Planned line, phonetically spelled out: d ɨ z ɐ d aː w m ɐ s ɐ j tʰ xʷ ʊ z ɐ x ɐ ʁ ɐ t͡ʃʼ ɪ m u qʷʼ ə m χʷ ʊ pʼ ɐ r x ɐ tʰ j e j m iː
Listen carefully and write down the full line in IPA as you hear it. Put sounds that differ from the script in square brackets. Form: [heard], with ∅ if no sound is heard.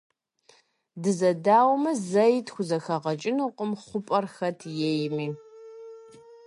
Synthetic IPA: d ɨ z ɐ d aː w m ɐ [z] ɐ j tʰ xʷ ʊ z ɐ x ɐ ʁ ɐ t͡ʃʼ ɪ [n] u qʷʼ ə m χʷ ʊ pʼ ɐ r x ɐ tʰ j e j m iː